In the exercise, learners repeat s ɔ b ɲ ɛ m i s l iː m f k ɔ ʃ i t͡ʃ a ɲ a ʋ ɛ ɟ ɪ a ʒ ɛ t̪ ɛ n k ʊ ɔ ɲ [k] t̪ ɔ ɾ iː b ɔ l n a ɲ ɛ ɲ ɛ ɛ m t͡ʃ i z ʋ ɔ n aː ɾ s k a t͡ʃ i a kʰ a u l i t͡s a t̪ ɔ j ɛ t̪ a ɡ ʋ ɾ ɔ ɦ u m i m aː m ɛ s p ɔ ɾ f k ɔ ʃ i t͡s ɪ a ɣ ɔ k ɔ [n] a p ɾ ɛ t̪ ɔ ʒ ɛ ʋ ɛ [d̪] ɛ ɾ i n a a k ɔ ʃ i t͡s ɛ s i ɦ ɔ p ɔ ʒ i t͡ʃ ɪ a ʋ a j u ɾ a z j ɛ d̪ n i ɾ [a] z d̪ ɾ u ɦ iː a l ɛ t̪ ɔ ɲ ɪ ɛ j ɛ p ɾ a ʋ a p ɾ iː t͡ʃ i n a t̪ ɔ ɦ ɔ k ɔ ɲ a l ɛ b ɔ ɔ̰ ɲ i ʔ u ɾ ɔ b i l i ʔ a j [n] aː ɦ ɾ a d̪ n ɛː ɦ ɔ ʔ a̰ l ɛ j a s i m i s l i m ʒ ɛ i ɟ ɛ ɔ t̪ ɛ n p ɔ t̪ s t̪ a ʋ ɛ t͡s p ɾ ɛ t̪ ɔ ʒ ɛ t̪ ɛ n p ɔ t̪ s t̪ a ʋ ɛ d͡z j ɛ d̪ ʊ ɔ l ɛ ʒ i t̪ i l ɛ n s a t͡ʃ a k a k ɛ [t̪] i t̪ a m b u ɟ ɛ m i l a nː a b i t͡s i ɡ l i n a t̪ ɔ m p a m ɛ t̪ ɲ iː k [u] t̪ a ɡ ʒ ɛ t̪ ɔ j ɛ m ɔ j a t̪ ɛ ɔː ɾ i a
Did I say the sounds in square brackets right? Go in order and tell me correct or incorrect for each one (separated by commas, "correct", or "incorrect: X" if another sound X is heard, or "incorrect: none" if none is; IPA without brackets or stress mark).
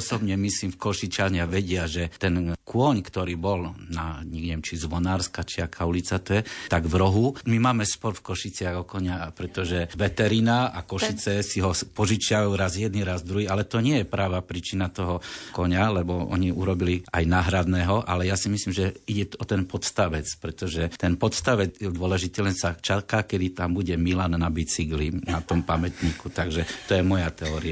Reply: correct, incorrect: ɲ, incorrect: t̪, correct, correct, incorrect: d̪, correct